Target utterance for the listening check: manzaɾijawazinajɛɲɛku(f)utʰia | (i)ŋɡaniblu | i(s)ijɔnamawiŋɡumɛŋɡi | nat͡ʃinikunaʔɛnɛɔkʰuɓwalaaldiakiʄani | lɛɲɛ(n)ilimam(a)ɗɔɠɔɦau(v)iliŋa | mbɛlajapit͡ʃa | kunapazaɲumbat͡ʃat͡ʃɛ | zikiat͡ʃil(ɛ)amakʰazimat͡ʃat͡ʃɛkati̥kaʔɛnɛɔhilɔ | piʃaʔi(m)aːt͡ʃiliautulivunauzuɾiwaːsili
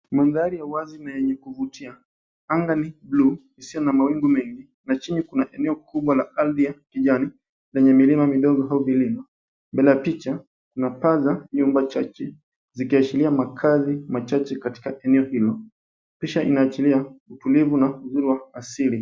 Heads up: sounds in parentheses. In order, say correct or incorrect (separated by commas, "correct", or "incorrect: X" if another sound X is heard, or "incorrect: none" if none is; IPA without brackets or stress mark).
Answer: incorrect: v, incorrect: a, correct, incorrect: m, incorrect: i, correct, incorrect: i, incorrect: n